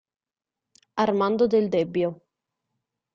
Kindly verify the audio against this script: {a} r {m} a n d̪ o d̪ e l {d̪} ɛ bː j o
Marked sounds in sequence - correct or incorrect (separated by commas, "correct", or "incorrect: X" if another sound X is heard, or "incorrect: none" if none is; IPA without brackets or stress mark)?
correct, correct, correct